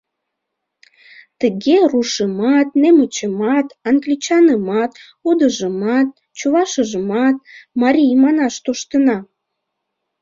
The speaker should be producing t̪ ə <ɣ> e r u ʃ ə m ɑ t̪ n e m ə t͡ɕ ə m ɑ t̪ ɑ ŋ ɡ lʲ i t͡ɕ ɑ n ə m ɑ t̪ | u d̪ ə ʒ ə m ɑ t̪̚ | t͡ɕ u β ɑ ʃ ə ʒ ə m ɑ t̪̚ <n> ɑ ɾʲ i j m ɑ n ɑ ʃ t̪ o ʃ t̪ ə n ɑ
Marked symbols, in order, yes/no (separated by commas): yes, no